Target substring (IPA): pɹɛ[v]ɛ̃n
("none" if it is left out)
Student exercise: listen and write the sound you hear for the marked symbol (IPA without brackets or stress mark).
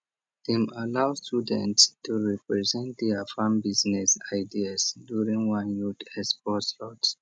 z